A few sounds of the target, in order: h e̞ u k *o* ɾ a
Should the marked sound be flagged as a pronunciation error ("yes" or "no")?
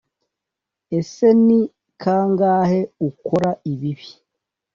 no